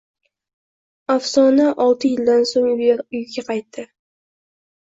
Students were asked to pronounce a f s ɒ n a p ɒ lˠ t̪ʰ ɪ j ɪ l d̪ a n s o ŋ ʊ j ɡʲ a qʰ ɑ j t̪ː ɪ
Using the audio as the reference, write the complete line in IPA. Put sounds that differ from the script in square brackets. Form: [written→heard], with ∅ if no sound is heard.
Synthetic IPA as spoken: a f s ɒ n a [p→ʔ] ɒ lˠ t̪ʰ ɪ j ɪ l d̪ a n s o ŋ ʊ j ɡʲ a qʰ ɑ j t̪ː ɪ